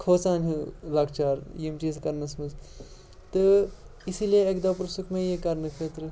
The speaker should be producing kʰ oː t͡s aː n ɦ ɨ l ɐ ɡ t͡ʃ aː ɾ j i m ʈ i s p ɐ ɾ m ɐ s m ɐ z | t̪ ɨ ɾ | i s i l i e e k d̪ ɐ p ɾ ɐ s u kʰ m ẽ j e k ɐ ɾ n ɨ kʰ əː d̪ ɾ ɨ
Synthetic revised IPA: kʰ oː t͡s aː n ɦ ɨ l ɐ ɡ t͡ʃ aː ɾ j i m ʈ i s k ɐ ɾ n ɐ s m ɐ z | t̪ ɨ | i s i l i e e k d̪ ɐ p ɾ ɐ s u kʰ m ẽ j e k ɐ ɾ n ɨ kʰ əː t̪ ɾ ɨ